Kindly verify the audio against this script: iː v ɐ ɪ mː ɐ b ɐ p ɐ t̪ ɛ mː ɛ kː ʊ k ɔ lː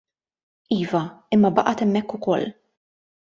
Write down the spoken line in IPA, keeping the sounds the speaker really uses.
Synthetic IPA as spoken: iː v ɐ ɪ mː ɐ b ɐ ʔ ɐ t̪ ɛ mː ɛ kː ʊ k ɔ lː